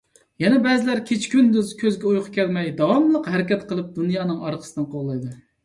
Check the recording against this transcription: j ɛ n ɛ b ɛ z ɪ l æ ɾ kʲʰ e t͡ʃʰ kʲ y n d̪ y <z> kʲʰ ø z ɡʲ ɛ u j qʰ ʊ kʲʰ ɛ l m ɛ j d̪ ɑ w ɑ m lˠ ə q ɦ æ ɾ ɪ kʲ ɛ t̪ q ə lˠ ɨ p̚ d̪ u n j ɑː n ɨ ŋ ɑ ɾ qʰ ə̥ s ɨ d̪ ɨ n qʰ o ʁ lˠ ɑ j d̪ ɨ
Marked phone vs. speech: correct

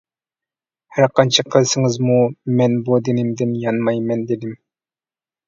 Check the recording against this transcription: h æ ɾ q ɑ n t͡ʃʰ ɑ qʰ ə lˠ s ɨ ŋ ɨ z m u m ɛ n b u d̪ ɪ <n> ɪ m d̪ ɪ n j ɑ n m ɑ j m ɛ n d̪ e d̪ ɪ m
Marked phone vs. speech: correct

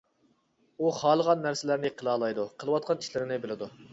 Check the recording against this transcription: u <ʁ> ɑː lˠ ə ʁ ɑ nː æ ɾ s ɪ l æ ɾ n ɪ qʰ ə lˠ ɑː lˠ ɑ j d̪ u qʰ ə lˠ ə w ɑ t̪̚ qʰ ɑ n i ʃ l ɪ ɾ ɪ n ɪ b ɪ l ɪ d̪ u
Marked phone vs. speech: incorrect: χ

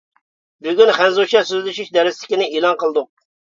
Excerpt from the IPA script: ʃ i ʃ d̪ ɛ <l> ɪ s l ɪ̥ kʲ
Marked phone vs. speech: incorrect: ɾ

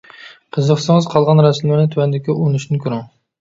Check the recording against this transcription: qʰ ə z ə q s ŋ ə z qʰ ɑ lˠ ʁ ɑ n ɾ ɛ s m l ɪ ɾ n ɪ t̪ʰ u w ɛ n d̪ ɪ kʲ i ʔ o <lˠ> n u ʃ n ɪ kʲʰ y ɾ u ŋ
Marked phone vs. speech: incorrect: none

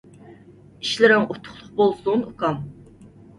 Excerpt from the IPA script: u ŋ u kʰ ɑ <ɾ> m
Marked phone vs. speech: incorrect: none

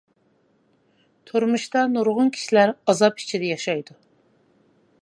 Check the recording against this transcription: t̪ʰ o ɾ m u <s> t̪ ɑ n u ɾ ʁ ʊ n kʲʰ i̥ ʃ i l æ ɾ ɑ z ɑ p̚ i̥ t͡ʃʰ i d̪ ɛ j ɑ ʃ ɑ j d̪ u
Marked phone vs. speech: incorrect: ʃ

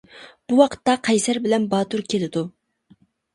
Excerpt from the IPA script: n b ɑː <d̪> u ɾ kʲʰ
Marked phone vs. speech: incorrect: t̪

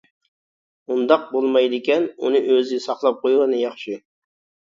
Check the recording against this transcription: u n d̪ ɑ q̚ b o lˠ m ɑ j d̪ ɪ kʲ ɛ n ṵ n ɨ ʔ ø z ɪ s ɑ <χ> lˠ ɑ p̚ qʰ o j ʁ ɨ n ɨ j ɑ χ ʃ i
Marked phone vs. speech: correct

